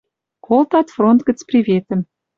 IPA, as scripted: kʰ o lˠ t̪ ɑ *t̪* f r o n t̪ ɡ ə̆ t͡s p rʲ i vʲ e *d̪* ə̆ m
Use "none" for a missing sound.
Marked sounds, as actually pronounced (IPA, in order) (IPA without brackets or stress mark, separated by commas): t̪, t̪